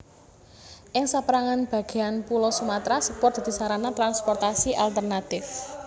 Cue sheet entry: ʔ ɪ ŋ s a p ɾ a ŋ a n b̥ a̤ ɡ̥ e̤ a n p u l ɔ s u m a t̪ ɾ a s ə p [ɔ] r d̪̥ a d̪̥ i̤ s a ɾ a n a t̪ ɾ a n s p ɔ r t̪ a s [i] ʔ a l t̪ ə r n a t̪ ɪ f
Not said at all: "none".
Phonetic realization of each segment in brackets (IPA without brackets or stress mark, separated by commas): ɔ, i